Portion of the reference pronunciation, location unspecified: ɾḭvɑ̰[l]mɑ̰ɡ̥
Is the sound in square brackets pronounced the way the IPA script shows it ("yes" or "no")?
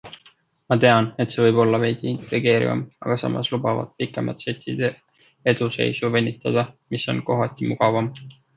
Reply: no